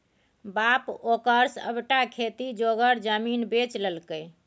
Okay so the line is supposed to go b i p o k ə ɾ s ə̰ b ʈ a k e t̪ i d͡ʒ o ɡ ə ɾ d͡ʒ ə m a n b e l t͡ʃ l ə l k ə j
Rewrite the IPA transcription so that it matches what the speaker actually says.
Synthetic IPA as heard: b a p o k ə ɾ s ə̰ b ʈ a kʰ e t̪ i d͡ʒ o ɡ ə ɾ d͡ʒ ə m i n b e t͡ʃ l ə l k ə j